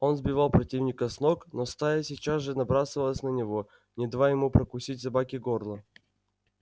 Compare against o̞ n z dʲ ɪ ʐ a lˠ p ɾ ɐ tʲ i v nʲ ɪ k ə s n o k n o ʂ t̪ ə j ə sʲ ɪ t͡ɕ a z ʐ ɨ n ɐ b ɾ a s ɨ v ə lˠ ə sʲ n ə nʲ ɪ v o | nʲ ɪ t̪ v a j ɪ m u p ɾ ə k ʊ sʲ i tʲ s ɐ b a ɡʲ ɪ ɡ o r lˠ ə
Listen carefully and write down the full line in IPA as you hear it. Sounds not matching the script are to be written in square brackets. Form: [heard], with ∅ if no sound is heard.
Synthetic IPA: o̞ n z [bʲ] ɪ [v] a lˠ p ɾ ɐ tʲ i v nʲ ɪ k ə s n o k n o [s] t̪ [a] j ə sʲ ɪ t͡ɕ a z ʐ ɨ n ɐ b ɾ a s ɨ v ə lˠ ə sʲ n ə nʲ ɪ v o | nʲ ɪ [d̪] v a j ɪ m u p ɾ ə k ʊ sʲ i tʲ s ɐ b a [kʲ] ɪ ɡ o r lˠ ə